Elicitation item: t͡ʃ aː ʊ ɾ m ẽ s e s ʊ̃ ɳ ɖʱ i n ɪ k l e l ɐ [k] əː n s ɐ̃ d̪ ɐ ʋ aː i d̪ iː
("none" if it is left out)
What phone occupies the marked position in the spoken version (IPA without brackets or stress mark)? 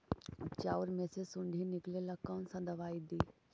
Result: k